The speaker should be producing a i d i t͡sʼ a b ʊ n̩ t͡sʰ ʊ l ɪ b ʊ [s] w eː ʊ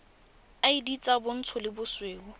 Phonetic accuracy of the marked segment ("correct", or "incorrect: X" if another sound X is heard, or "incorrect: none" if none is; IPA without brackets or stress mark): correct